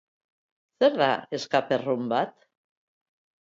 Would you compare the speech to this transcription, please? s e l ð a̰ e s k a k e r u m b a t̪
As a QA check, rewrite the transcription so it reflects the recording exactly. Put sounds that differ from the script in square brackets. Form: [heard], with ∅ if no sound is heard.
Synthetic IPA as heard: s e [ɾ] ð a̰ e s k a [p] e r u m b a t̪